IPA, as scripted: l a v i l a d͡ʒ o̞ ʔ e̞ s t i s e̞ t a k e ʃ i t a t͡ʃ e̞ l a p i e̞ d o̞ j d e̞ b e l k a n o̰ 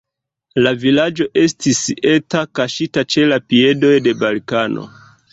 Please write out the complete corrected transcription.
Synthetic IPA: l a v i l a d͡ʒ o̞ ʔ e̞ s t i s e̞ t a k a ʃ i t a t͡ʃ e̞ l a p i e̞ d o̞ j d e̞ b a l k a n o̰